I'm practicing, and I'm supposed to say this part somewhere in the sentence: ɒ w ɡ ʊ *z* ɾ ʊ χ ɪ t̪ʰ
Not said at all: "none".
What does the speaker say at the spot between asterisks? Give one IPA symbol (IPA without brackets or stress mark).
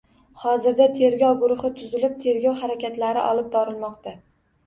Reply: none